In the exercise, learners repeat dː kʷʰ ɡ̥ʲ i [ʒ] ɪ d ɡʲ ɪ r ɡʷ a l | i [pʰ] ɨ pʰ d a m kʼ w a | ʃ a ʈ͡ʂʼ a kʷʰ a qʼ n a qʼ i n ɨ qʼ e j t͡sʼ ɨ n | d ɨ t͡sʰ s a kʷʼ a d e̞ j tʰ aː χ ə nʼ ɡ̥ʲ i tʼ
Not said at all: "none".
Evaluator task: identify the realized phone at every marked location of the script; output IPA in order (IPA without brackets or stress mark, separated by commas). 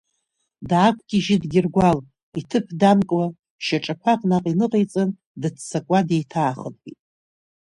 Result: ʒ, tʰ